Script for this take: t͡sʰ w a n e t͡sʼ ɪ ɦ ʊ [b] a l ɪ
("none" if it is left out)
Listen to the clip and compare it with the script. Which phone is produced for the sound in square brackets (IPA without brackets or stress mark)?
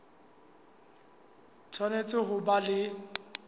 b